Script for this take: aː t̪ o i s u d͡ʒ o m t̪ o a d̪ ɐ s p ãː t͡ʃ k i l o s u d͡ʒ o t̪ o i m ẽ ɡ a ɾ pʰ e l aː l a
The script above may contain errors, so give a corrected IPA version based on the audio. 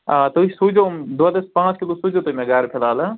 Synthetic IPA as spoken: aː t̪ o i s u d͡ʒ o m d̪ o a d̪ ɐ s p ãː t͡ʃ k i l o s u d͡ʒ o t̪ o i m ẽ ɡ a ɾ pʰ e l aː l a